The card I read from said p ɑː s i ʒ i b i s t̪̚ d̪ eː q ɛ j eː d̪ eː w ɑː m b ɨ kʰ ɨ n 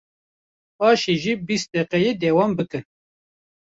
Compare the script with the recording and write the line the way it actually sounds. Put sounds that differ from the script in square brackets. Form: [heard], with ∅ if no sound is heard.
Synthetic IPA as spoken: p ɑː [ʃ] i ʒ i b i s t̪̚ d̪ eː q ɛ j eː d̪ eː w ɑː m b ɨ [k] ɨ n